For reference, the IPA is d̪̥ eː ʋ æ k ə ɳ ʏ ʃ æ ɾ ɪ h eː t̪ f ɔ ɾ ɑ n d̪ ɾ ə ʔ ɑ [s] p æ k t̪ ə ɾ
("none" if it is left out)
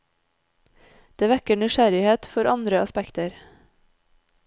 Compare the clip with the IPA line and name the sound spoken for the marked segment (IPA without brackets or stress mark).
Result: s